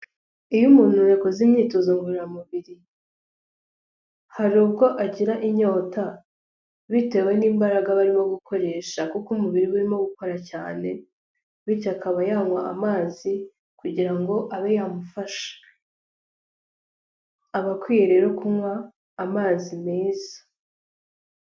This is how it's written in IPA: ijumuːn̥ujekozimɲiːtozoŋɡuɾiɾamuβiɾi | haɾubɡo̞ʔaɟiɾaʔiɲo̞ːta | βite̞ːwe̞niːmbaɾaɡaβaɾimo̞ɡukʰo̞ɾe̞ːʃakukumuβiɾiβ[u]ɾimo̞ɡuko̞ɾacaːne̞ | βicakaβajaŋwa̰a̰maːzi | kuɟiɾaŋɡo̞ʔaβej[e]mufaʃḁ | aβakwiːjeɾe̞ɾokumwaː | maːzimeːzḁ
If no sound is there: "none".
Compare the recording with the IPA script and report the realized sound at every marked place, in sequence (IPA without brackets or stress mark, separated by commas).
u, a